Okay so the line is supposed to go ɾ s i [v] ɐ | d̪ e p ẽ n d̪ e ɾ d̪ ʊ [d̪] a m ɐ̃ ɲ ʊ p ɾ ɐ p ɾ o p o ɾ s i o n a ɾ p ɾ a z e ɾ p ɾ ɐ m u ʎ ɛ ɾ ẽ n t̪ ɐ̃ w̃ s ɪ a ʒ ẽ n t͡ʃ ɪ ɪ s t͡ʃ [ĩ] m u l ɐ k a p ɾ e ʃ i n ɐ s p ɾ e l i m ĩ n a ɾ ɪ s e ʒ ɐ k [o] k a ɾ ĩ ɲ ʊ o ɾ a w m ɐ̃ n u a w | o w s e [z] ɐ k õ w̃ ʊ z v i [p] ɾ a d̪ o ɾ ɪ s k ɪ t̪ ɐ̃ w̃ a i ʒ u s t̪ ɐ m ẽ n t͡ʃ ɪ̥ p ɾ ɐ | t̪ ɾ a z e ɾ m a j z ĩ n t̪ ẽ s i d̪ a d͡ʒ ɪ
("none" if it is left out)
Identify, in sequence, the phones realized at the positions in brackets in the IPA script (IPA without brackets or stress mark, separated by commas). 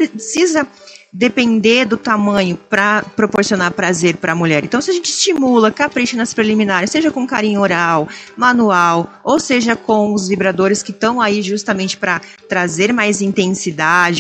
z, t̪, i, õ, ʒ, b